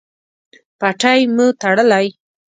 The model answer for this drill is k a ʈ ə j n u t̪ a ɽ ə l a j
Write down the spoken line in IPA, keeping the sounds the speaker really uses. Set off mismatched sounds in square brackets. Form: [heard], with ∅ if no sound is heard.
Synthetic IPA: [p] a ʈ [a] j [m] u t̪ a ɽ ə l a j